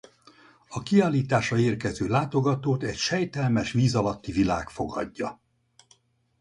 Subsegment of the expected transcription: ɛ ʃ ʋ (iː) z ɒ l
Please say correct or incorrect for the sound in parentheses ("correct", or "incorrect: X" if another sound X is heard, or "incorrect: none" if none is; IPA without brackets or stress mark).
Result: correct